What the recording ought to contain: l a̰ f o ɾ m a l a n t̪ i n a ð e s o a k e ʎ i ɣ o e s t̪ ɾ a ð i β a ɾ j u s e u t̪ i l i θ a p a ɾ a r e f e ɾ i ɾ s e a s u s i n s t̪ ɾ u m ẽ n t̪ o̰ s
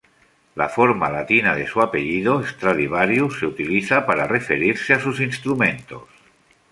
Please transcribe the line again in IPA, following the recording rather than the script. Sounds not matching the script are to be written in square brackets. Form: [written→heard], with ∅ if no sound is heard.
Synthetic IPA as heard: l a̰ f o ɾ m a l a [n→∅] t̪ i n a ð e s [o→u] a [k→p] e ʎ i [ɣ→ð] o e s t̪ ɾ a ð i β a ɾ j u s e u t̪ i l i θ a p a ɾ a r e f e ɾ i ɾ s e a s u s i n s t̪ ɾ u m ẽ n t̪ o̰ s

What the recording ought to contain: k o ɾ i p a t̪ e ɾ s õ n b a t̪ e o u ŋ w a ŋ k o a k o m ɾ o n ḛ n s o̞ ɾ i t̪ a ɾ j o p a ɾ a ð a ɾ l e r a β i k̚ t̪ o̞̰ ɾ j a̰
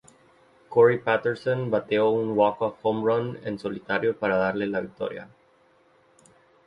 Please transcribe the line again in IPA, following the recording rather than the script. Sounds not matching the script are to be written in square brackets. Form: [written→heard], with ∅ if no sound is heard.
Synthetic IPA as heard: k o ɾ i p a t̪ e ɾ s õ n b a t̪ e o u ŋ w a [ŋ→∅] k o a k o m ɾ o n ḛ n s o̞ [ɾ→l] i t̪ a ɾ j o p a ɾ a ð a ɾ l e [r→l] a β i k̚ t̪ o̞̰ ɾ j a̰

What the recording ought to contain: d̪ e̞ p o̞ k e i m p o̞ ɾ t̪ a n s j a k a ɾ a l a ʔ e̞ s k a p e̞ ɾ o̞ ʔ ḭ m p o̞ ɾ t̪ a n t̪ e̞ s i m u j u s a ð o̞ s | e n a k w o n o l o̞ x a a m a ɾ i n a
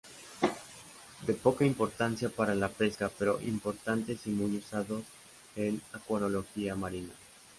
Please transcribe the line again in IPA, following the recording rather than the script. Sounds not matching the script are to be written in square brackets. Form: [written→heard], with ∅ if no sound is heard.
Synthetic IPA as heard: d̪ e̞ p o̞ k [e→a] i m p o̞ ɾ t̪ a n s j a [k→p] a ɾ a l a [ʔ→p] e̞ s k a p e̞ ɾ o̞ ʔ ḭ m p o̞ ɾ t̪ a n t̪ e̞ s i m u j u s a ð o̞ s | e n a k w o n o l o̞ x [a→i] a m a ɾ i n a

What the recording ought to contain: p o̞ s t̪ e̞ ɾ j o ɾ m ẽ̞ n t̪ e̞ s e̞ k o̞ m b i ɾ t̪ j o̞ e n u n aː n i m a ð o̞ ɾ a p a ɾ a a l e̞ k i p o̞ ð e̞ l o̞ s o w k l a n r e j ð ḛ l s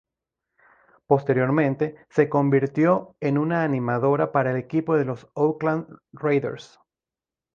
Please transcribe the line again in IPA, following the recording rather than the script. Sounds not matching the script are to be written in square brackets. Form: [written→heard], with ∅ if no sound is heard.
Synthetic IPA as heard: p o̞ s t̪ e̞ ɾ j o ɾ m ẽ̞ n t̪ e̞ s e̞ k o̞ m b i ɾ t̪ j o̞ e n u n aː n i m a ð o̞ ɾ a p a ɾ a [a→e] l e̞ k i p o̞ ð e̞ l o̞ s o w k l a n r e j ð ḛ [l→ɾ] s

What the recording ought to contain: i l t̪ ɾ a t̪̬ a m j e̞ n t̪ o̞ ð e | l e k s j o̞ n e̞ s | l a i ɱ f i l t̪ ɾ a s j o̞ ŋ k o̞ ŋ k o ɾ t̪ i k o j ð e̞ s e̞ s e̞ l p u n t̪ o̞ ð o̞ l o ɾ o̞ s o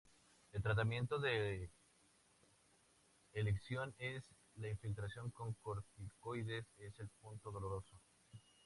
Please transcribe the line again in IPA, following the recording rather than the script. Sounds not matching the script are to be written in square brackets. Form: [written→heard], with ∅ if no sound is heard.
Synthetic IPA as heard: [i→e] l t̪ ɾ a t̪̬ a m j e̞ n t̪ o̞ ð e | l e k s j o̞ n e̞ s | l a i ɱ f i l t̪ ɾ a s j o̞ ŋ k o̞ ŋ k o ɾ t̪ i k o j ð e̞ s e̞ s e̞ l p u n t̪ o̞ ð o̞ l o ɾ o̞ s o

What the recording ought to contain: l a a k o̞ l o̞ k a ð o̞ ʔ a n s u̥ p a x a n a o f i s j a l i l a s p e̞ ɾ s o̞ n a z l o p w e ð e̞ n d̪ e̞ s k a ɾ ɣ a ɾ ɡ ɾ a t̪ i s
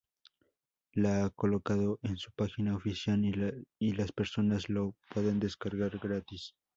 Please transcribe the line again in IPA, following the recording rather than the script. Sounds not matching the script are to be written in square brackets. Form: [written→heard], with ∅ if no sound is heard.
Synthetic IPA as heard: l a a k o̞ l o̞ k a ð o̞ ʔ [a→e] n s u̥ p a x [a→i] n a o f i s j a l i l a s p e̞ ɾ s o̞ n a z l o p w e ð e̞ n d̪ e̞ s k a ɾ ɣ a ɾ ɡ ɾ a t̪ i s

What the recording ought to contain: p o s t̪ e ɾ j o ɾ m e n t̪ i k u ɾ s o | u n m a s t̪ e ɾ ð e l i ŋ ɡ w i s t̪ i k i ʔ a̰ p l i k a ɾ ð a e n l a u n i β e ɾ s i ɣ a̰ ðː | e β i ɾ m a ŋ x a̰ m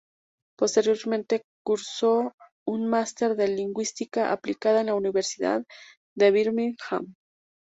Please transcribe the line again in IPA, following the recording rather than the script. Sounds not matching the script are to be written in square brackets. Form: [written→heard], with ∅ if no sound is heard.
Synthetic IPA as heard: p o s t̪ e ɾ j o ɾ m e n t̪ [i→e] k u ɾ s o | u n m a s t̪ e ɾ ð e l i ŋ ɡ w i s t̪ i k [i→a] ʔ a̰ p l i k a [ɾ→∅] ð a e n l a u n i β e ɾ s i [ɣ→ð] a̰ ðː | e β i ɾ m [a→i] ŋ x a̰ m

